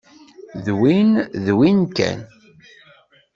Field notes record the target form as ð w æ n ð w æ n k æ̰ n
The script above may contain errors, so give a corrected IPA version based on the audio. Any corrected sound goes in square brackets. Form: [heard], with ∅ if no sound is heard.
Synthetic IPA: ð w [i] n ð w [i] n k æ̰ n